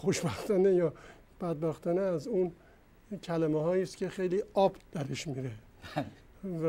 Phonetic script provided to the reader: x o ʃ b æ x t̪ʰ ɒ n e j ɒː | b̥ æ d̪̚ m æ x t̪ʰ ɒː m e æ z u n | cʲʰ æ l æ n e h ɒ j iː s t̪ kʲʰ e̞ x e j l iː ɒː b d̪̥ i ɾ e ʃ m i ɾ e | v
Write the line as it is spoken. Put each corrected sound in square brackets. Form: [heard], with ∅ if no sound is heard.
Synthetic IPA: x o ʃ b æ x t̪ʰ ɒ n e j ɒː | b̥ æ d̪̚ [b] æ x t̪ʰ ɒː [n] e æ z u n | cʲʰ æ l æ [m] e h [ɒː] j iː s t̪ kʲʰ e̞ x e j l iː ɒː b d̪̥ [æ] ɾ e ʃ m i ɾ e | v